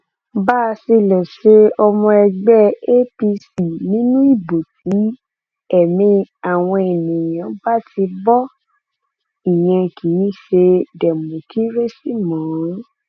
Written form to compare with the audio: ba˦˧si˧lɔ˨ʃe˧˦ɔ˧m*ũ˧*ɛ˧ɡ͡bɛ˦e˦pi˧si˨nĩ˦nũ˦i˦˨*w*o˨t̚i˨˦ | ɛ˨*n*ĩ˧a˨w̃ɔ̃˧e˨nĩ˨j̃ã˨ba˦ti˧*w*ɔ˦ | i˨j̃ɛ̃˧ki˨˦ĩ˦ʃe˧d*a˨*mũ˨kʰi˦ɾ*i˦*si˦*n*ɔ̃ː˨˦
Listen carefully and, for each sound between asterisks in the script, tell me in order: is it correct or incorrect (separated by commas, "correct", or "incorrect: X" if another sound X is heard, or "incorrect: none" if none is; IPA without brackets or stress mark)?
incorrect: ɔ̃˧, incorrect: b, incorrect: m, incorrect: b, incorrect: ɛ˨, incorrect: e˦, incorrect: m